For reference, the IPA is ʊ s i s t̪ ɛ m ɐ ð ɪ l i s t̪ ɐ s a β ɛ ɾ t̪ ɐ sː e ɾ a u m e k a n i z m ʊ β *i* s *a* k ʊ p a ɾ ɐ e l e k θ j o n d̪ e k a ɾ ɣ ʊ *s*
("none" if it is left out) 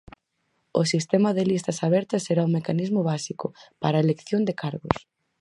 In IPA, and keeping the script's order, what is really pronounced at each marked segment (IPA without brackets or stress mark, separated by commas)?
a, i, s